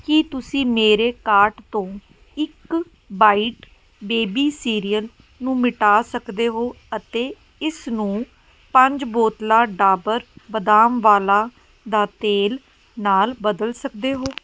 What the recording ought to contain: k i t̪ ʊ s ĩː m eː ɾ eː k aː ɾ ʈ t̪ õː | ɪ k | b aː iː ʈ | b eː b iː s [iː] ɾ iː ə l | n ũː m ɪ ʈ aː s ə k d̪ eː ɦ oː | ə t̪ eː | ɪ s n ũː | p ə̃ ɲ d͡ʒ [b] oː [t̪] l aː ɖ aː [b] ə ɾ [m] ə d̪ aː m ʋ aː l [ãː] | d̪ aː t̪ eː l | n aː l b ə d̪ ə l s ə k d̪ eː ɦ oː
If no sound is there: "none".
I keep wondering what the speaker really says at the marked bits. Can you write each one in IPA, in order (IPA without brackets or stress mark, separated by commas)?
iː, b, t̪, b, b, aː